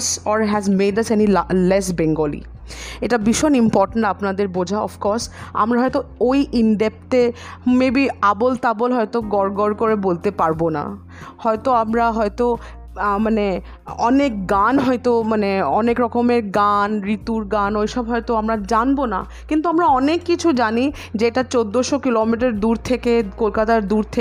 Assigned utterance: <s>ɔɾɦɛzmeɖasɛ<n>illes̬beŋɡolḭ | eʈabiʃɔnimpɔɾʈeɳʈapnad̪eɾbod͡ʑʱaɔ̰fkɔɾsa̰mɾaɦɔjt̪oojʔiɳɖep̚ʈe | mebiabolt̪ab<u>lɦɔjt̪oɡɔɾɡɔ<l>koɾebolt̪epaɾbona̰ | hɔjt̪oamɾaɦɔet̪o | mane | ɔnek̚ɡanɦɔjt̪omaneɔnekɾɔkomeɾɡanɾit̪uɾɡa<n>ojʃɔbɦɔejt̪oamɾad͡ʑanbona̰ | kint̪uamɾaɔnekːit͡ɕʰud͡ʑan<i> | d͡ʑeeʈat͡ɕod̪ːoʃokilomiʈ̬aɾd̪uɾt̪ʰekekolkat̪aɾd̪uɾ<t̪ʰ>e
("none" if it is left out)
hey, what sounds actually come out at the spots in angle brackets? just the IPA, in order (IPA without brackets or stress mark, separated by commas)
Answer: s, n, o, ɾ, n, i, t̪ʰ